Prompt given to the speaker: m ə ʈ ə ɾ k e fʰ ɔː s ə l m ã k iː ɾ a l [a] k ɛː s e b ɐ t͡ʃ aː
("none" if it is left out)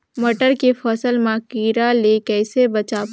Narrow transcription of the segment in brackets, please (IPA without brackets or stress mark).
e